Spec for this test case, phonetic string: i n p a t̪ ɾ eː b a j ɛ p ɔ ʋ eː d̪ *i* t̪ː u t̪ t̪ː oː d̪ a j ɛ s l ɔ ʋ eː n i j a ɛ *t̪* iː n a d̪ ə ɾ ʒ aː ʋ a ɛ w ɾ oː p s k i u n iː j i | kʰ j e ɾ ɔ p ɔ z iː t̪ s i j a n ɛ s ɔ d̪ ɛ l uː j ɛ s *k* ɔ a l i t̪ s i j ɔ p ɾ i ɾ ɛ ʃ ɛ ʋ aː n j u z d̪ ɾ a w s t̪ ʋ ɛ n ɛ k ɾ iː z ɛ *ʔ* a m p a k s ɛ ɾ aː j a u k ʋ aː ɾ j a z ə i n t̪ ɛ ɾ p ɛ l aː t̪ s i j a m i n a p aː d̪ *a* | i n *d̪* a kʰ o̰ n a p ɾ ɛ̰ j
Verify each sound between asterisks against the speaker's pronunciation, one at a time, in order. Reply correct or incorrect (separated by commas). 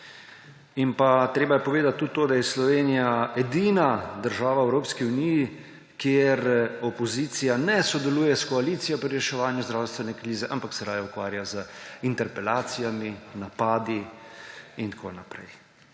incorrect, incorrect, correct, correct, incorrect, incorrect